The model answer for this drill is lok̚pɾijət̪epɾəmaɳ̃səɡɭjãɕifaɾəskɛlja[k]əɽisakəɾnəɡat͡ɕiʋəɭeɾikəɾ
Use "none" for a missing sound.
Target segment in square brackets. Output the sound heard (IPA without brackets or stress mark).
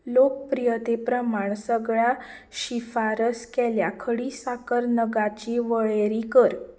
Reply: kʰ